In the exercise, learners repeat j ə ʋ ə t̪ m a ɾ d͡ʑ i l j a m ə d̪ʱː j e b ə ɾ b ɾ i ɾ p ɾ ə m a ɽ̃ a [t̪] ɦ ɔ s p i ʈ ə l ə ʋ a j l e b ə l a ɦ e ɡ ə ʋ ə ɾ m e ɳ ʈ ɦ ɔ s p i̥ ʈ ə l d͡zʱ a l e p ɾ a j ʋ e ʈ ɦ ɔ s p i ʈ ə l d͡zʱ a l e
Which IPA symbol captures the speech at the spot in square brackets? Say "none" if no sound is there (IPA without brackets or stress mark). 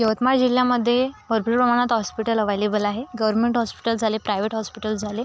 t̪